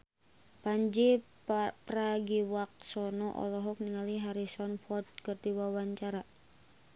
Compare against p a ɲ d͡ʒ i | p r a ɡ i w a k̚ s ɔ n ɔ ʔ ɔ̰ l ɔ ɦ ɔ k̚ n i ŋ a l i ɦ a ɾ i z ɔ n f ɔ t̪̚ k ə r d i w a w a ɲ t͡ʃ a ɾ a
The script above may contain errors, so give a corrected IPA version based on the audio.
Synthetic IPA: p a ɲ d͡ʒ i | p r a ɡ i w a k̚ s ɔ n ɔ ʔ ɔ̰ l ɔ ɦ ɔ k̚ n i ŋ a l i ɦ a ɾ i s ɔ n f ɔ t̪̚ k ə r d i w a w a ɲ t͡ʃ a ɾ a